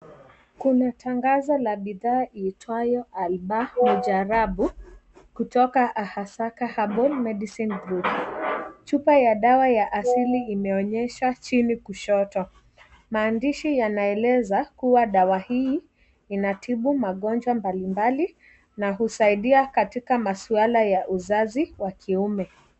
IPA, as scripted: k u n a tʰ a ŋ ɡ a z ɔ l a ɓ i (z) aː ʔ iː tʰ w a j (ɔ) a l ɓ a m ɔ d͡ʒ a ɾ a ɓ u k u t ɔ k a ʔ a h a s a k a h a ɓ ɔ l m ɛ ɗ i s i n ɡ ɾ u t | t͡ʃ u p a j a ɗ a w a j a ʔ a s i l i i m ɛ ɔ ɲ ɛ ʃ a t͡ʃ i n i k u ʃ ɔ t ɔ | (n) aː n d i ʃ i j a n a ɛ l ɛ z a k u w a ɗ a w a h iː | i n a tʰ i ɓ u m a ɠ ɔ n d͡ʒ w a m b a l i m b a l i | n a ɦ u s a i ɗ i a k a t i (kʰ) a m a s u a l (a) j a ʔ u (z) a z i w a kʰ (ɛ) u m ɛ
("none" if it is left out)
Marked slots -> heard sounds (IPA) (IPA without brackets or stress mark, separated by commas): ð, ɔ, m, k, a, z, i